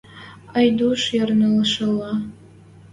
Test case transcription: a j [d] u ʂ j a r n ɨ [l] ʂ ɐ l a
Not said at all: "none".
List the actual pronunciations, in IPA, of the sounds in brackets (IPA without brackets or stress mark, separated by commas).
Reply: d, l